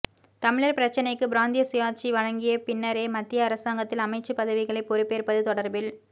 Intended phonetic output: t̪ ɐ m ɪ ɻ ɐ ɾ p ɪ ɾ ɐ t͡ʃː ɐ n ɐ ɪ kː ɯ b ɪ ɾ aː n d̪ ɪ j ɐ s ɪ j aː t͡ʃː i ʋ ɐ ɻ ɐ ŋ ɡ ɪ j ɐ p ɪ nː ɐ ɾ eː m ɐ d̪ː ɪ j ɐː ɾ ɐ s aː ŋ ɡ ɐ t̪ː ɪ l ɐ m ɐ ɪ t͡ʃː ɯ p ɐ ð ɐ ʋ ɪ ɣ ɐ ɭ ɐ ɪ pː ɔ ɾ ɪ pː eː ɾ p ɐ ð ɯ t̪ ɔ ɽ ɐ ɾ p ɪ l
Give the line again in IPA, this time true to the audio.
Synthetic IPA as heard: t̪ ɐ m ɪ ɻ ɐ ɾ p ɪ ɾ ɐ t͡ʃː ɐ n ɐ ɪ kː ɯ b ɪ ɾ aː n d̪ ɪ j ɐ s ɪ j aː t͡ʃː i ʋ ɐ ɻ ɐ ŋ ɡ ɪ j ɐ p ɪ nː ɐ ɾ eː m ɐ t̪ː ɪ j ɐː ɾ ɐ s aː ŋ ɡ ɐ t̪ː ɪ l ɐ m ɐ ɪ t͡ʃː ɯ p ɐ ð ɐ ʋ ɪ ɣ ɐ ɭ ɐ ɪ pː ɔ ɾ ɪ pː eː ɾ p ɐ ð ɯ t̪ ɔ ɽ ɐ ɾ b ɪ l

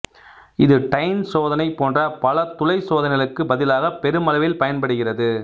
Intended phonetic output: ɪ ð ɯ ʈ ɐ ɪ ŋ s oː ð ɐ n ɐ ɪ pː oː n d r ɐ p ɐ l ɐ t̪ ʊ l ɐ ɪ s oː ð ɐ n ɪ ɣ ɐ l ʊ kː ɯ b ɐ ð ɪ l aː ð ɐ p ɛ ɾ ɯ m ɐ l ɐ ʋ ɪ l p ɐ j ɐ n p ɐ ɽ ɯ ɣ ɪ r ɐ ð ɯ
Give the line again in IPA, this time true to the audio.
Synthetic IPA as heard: ɪ ð ɯ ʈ ɐ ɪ n s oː ð ɐ n ɐ ɪ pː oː n d r ɐ p ɐ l ɐ t̪ ʊ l ɐ ɪ s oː ð ɐ n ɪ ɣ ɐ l ɯ kː ɯ b ɐ ð ɪ l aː ɣ ɐ p ɛ ɾ ɯ m ɐ l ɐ ʋ ɪ l p ɐ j ɐ n p ɐ ɽ ɯ ɣ ɪ r ɐ ð ɯ

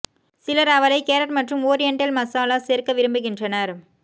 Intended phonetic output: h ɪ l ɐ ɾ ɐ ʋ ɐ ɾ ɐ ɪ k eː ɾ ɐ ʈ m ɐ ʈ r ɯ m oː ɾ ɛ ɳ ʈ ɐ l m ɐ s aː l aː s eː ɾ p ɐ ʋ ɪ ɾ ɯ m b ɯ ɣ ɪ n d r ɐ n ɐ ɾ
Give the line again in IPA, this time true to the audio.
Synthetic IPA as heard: s ɪ l ɐ ɾ ɐ ʋ ɐ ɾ ɐ ɪ k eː ɾ ɐ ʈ m ɐ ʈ r ɯ m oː ɾ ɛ ɳ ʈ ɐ l m ɐ s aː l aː s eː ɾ k ɐ ʋ ɪ ɾ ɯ m b ɯ ɣ ɪ n d r ɐ n ɐ ɾ

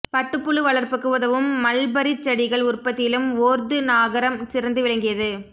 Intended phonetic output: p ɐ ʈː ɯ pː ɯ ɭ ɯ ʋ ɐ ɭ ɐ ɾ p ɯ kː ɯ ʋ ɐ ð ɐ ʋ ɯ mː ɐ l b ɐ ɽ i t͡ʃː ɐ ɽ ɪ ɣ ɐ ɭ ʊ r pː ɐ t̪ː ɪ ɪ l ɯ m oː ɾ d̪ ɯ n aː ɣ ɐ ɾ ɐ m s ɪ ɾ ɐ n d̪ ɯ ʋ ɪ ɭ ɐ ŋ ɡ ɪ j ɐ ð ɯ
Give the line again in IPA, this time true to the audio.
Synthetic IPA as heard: p ɐ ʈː ɯ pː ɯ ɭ ɯ ʋ ɐ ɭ ɐ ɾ p ɯ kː ɯ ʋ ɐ ð ɐ ʋ ɯ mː ɐ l b ɐ ɾ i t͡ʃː ɐ ɽ ɪ ɣ ɐ ɭ ʊ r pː ɐ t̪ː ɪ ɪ l ɯ m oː ɾ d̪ ɯ n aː ɣ ɐ ɾ ɐ m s ɪ ɾ ɐ n d̪ ɯ ʋ ɪ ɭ ɐ ŋ ɡ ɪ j ɐ ð ɯ

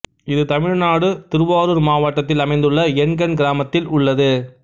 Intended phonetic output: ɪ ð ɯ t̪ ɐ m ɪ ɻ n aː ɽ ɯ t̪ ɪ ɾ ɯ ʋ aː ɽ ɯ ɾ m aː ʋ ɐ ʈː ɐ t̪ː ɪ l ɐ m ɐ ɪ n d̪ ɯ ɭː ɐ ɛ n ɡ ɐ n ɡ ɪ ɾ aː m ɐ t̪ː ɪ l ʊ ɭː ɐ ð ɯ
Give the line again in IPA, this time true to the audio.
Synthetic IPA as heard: ɪ ð ɯ t̪ ɐ m ɪ ɻ n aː ɽ ɯ t̪ ɪ ɾ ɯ ʋ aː ɾ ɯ ɾ m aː ʋ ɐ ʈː ɐ t̪ː ɪ l ɐ m ɐ ɪ n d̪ ɯ ɭː ɐ ɛ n ɡ ɐ n ɡ ɪ ɾ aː m ɐ t̪ː ɪ l ʊ ɭː ɐ ð ɯ

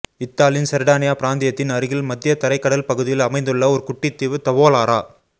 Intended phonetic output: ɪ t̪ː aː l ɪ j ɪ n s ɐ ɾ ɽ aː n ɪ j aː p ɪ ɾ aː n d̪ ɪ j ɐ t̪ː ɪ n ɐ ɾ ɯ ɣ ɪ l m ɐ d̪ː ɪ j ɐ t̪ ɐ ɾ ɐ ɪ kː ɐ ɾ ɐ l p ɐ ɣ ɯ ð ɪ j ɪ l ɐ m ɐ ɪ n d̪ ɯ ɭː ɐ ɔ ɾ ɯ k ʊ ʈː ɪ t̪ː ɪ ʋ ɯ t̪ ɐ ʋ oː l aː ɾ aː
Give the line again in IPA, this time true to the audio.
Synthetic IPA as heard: ɪ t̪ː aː l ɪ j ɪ n s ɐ ɾ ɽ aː n ɪ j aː p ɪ ɾ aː n d̪ ɪ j ɐ t̪ː ɪ n ɐ ɾ ɯ ɣ ɪ l m ɐ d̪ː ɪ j ɐ t̪ ɐ ɾ ɐ ɪ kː ɐ ɽ ɐ l p ɐ ɣ ɯ ð ɪ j ɪ l ɐ m ɐ ɪ n d̪ ɯ ɭː ɐ ɔ ɾ ɯ k ʊ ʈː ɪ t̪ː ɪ ʋ ɯ t̪ ɐ ʋ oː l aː ɾ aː

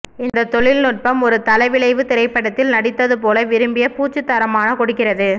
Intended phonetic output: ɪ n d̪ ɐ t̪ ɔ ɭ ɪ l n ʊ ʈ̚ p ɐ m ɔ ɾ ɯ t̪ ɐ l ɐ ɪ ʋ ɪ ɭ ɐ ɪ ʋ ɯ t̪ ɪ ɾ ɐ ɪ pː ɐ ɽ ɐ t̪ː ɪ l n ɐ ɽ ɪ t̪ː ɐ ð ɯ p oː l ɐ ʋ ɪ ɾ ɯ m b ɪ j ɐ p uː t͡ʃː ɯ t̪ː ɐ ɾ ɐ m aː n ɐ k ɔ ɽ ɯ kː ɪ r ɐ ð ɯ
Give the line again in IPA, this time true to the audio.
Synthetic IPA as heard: ɪ n d̪ ɐ t̪ ɔ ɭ ɪ l n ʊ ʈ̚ p ɐ m ɔ ɾ ɯ t̪ ɐ l ɐ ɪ ʋ ɪ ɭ ɐ ɪ ʋ ɯ t̪ ɪ ɾ ɐ ɪ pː ɐ ɽ ɐ t̪ː ɪ l n ɐ ɽ ɪ t̪ː ɐ ð ɯ p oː l ɐ ʋ ɪ ɾ ɯ m b ɪ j ɐ p uː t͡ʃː ɯ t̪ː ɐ ɾ ɐ m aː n ɐ k ɔ ɽ ɯ kː ɪ r ɐ ð ɯ

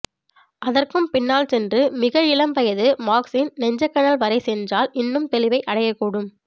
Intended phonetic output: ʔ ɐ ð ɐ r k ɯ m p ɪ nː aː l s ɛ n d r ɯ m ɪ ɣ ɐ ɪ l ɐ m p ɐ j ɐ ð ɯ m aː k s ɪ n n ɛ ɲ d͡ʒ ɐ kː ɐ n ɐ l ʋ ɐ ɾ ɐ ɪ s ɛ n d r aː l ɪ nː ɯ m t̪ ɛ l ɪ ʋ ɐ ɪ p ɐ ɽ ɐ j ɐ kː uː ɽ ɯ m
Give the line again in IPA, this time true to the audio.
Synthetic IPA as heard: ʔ ɐ ð ɐ r k ɯ m p ɪ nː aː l s ɛ n d r ɯ m ɪ ɣ ɐ ɪ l ɐ m p ɐ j ɐ ð ɯ m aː k s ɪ n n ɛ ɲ d͡ʒ ɐ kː ɐ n ɐ l ʋ ɐ ɾ ɐ ɪ s ɛ n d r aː l ɪ nː ɯ m t̪ ɛ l ɪ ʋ ɐ ɪ ʔ ɐ ɽ ɐ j ɐ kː uː ɽ ɯ m

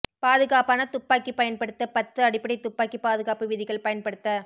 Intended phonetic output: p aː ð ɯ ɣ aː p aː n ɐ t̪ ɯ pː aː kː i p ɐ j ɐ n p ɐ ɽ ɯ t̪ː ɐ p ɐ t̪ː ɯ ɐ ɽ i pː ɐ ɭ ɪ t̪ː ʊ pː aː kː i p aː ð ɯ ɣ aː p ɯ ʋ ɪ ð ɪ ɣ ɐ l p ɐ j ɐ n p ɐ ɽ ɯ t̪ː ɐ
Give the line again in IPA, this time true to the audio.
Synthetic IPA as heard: p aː ð ɯ ɣ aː p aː n ɐ t̪ ʊ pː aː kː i p ɐ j ɐ n p ɐ ɽ ɯ t̪ː ɐ p ɐ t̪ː ɯ ɐ ɽ ɪ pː ɐ ɽ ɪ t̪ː ʊ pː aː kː i p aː ð ɯ ɣ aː p ɯ ʋ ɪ ð ɪ ɣ ɐ ɭ p ɐ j ɐ n p ɐ ɽ ɯ t̪ː ɐ

